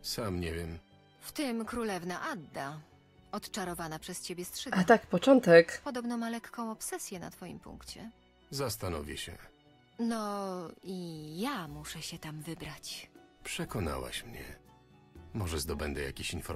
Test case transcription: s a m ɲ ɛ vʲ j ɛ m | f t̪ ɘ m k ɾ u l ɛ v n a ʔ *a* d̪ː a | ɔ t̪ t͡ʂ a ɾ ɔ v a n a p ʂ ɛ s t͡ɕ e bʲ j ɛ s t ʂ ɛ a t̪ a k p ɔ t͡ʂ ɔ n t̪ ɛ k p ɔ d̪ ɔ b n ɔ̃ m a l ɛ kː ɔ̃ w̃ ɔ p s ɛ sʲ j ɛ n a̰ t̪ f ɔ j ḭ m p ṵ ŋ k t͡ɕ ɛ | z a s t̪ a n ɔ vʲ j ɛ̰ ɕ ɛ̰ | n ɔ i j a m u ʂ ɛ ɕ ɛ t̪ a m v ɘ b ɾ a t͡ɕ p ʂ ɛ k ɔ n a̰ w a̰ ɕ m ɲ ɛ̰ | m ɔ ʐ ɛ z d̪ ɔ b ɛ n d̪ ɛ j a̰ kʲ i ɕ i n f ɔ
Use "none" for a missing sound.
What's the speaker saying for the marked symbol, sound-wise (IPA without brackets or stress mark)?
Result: a